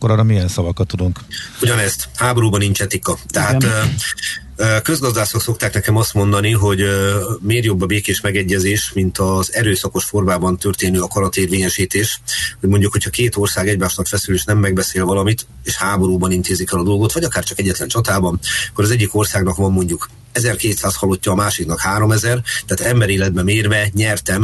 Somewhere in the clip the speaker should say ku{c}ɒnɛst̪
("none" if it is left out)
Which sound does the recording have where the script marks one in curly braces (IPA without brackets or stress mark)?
ɟ